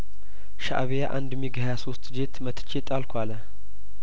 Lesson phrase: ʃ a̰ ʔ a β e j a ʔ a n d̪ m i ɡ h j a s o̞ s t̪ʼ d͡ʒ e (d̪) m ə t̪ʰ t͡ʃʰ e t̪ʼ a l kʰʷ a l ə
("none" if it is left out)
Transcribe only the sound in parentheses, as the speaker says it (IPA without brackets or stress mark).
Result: t̪